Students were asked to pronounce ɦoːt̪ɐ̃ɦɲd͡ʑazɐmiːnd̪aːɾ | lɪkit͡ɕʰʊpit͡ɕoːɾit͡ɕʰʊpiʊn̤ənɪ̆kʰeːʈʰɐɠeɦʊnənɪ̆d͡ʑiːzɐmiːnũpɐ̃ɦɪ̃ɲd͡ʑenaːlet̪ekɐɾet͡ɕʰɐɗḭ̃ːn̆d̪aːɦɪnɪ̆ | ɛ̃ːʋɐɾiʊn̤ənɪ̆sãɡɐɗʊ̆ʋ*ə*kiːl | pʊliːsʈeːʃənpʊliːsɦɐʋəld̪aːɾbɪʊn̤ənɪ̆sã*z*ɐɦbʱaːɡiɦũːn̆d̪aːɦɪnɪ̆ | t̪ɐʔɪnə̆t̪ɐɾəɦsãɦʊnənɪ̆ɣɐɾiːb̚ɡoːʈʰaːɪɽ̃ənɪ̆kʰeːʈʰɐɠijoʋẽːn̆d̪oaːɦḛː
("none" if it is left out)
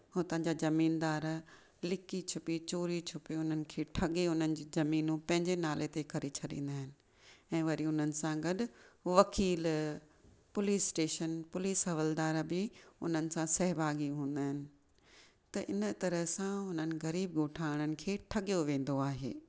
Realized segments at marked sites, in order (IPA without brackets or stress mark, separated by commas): ɐ, s